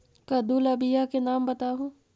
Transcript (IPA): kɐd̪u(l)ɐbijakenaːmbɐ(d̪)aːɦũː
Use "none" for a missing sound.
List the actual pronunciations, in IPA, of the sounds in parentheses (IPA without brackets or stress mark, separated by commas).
l, t̪